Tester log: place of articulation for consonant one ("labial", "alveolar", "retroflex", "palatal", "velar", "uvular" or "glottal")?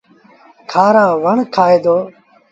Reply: velar